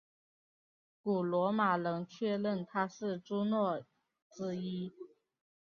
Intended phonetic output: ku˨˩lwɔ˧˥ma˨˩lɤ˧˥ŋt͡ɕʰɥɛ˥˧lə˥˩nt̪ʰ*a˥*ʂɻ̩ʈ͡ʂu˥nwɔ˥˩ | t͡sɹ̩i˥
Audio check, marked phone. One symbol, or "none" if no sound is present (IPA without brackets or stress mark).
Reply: a˥